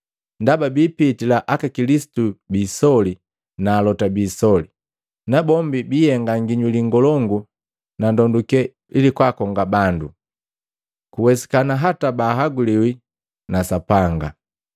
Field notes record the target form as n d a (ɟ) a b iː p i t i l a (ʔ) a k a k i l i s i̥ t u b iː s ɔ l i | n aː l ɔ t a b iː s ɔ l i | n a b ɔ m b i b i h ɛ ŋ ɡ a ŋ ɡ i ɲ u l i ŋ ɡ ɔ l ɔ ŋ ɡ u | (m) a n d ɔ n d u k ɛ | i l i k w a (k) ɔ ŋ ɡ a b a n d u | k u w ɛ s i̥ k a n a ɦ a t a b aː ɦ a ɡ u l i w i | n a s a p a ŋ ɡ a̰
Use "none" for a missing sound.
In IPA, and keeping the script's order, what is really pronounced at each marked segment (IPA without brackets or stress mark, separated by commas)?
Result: b, ʔ, n, k